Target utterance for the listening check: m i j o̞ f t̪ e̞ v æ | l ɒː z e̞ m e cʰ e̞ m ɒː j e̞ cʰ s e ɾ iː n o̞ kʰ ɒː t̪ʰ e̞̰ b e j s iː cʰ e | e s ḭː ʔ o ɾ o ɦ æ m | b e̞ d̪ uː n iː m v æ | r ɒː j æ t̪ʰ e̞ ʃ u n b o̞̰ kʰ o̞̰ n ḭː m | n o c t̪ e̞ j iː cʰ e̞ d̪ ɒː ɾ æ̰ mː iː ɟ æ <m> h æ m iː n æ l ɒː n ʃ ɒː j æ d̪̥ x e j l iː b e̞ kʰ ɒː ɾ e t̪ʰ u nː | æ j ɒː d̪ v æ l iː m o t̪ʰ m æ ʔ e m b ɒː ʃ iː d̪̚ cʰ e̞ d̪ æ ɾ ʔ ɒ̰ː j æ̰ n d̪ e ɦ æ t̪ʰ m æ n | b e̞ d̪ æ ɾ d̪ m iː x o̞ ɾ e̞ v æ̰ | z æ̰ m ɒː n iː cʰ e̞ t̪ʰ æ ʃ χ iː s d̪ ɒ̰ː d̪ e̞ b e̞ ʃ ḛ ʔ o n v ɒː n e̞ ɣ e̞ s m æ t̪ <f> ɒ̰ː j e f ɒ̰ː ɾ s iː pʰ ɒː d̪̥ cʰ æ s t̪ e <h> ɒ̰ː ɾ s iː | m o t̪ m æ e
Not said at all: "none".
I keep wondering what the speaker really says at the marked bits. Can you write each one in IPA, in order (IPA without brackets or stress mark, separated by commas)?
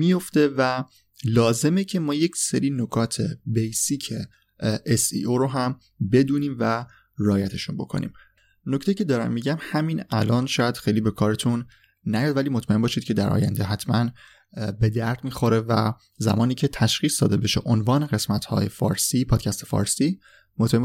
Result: m, h, f